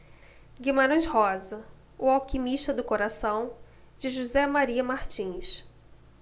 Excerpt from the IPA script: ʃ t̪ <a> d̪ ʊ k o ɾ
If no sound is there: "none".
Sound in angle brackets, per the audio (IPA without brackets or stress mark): ɐ